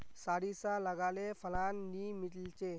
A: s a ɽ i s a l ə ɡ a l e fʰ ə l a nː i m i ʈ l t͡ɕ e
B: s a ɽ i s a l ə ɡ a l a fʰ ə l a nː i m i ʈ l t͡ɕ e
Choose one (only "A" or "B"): A